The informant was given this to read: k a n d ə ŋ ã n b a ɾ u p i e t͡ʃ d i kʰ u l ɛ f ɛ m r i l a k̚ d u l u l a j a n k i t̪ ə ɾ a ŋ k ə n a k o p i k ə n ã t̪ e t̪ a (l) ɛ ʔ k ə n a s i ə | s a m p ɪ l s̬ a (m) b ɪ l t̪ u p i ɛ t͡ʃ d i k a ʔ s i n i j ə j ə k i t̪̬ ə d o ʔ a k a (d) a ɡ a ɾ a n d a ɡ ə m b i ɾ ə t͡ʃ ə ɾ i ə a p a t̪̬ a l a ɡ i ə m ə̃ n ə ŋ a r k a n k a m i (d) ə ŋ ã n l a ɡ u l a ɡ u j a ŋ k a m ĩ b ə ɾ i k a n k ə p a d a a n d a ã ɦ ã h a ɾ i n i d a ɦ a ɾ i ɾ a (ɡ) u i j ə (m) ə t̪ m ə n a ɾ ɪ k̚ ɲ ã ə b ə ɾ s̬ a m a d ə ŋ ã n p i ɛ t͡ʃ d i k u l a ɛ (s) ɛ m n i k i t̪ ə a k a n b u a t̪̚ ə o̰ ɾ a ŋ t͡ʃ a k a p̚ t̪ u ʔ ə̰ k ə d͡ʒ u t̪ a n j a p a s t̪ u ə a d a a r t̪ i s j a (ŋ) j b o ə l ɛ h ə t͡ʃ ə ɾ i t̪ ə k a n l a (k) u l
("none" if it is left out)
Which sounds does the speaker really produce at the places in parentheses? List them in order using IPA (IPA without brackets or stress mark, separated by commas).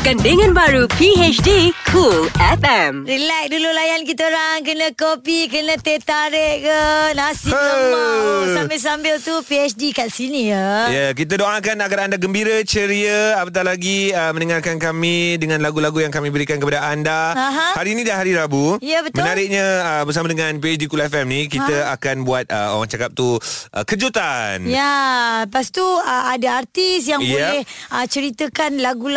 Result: ɾ, m, n, d, b, b, f, ŋ, ɡ